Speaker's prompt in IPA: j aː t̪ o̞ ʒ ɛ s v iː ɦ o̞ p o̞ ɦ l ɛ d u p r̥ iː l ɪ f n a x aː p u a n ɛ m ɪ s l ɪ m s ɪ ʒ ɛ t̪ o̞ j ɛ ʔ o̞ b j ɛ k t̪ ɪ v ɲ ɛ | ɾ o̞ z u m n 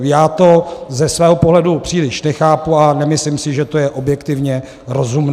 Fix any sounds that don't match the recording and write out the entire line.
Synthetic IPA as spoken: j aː t̪ o̞ z ɛ s v ɛː ɦ o̞ p o̞ ɦ l ɛ d u p r̥ iː l ɪ ʃ n ɛ x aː p u a n ɛ m ɪ s l ɪ m s ɪ ʒ ɛ t̪ o̞ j ɛ ʔ o̞ b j ɛ k t̪ ɪ v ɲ ɛ | ɾ o̞ z u m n